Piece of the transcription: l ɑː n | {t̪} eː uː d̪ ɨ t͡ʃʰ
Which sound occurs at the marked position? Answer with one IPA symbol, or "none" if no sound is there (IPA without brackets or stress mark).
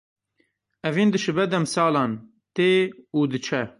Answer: t̪